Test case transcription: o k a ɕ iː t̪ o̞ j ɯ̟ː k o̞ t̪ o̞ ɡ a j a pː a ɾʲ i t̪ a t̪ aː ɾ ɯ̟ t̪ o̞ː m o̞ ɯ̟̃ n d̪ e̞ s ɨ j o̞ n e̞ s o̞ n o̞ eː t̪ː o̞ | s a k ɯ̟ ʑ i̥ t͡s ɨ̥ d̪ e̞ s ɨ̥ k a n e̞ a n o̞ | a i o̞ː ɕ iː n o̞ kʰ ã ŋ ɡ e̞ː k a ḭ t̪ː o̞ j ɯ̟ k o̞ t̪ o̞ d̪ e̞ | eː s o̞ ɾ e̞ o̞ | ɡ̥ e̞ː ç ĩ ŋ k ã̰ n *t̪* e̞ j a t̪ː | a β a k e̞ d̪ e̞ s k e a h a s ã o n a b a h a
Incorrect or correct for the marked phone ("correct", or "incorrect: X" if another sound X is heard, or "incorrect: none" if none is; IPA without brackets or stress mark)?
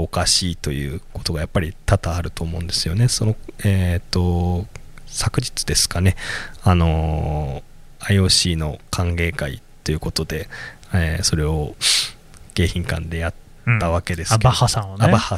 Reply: incorrect: d̪